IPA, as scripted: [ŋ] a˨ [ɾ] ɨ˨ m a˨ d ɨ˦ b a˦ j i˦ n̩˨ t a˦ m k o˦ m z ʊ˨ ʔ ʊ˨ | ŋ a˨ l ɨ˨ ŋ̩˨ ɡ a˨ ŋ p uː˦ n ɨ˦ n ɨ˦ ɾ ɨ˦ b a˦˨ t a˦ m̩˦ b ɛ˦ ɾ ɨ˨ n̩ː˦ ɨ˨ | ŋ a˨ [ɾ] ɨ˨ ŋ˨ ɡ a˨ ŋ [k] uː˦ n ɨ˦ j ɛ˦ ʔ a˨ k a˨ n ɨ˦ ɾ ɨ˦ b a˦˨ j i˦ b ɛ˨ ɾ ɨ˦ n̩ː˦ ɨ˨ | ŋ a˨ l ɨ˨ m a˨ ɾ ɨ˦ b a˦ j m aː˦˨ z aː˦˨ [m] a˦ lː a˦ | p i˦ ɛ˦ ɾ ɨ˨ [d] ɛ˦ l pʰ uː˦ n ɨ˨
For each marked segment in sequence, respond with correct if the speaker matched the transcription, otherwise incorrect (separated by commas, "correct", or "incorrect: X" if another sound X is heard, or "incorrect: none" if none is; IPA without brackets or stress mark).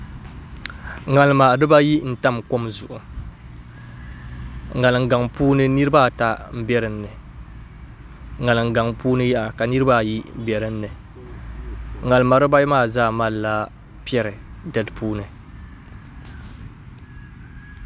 correct, incorrect: l, incorrect: l, incorrect: p, correct, correct